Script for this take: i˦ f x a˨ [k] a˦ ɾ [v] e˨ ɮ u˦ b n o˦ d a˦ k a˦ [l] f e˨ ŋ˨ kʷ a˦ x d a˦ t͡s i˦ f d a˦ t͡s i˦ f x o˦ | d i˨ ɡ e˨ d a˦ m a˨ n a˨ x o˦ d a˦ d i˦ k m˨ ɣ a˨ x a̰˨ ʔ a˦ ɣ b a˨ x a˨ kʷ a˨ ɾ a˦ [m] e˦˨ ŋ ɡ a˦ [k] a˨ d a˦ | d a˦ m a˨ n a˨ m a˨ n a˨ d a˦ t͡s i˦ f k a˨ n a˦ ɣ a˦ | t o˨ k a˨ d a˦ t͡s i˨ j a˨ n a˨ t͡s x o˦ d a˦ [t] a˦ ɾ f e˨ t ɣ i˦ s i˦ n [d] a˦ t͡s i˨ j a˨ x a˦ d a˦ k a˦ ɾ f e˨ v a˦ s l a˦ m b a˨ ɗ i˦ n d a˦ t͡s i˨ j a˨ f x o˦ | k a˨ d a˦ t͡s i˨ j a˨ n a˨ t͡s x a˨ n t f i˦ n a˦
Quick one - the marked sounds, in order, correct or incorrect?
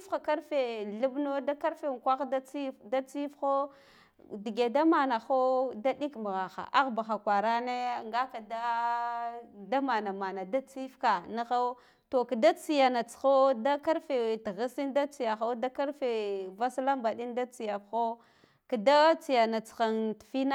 correct, incorrect, incorrect, incorrect, correct, incorrect, correct

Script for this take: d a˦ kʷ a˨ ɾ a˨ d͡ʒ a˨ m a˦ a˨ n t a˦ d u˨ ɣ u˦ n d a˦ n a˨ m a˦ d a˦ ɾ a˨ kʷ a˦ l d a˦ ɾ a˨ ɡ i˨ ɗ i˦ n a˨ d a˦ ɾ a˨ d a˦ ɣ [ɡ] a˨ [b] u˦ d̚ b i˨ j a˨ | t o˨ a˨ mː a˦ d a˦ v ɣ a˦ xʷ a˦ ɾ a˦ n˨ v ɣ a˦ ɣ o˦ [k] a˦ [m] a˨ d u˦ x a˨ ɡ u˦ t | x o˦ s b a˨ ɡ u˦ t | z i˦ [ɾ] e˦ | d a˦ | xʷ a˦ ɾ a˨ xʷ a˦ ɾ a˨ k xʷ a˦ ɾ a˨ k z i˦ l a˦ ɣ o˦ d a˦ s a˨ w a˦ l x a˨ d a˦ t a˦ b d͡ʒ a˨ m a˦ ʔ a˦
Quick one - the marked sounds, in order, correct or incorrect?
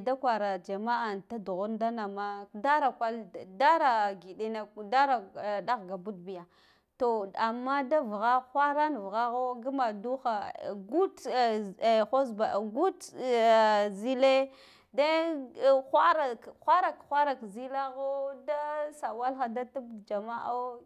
correct, correct, incorrect, correct, incorrect

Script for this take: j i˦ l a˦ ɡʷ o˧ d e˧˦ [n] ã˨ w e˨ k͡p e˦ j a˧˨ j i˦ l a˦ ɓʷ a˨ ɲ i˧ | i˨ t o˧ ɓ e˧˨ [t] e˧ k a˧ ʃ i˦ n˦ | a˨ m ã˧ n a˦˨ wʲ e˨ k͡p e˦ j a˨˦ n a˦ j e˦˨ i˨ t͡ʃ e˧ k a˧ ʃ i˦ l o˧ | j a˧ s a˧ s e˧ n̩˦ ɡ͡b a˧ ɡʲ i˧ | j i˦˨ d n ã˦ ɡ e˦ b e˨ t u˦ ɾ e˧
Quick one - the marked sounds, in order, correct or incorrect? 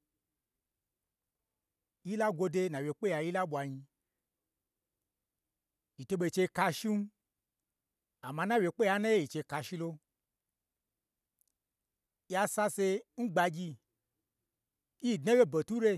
correct, incorrect

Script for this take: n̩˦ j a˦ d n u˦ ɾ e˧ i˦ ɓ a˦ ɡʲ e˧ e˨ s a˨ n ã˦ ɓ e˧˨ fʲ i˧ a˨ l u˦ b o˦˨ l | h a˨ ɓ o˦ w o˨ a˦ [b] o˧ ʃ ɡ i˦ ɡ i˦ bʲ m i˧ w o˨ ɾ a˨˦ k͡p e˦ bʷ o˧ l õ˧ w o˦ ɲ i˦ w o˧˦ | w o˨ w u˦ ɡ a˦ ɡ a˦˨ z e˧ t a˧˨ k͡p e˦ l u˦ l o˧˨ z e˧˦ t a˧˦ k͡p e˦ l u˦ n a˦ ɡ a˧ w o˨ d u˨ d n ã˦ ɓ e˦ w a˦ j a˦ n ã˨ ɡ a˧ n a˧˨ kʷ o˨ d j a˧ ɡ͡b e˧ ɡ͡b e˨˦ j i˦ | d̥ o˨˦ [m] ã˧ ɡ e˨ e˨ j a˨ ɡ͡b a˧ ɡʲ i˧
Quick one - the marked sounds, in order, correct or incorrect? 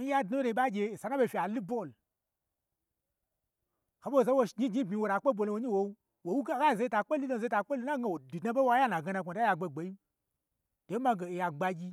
incorrect, correct

